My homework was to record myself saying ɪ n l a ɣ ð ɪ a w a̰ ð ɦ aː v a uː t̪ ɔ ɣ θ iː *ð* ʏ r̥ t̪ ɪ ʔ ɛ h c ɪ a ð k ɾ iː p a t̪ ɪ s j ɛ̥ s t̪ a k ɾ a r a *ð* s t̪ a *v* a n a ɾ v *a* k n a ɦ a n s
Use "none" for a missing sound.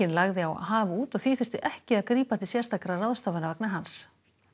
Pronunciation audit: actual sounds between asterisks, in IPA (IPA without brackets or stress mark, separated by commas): θ, ð, v, a